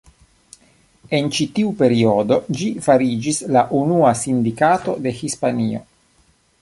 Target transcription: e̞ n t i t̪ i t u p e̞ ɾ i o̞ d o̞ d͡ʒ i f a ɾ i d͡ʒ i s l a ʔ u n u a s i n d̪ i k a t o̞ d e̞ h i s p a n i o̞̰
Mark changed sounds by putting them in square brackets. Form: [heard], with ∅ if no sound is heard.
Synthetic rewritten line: e̞ n [t͡ʃ] i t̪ i [∅] u p e̞ ɾ i o̞ d o̞ d͡ʒ i f a ɾ i d͡ʒ i s l a ʔ u n u a s i n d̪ i k a t o̞ d e̞ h i s p a n i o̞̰